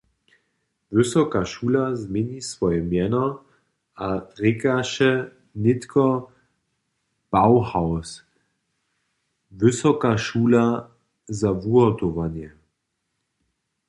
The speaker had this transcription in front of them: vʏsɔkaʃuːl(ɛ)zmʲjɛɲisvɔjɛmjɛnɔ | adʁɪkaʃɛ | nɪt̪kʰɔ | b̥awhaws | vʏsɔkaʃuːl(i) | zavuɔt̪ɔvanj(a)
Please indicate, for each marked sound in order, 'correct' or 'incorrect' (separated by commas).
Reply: incorrect, incorrect, incorrect